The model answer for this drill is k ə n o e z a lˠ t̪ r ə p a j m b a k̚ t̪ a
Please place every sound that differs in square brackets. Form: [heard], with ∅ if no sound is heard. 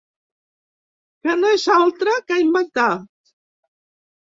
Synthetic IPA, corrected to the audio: k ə n o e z a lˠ t̪ [ɾ] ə [k] a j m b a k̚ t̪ a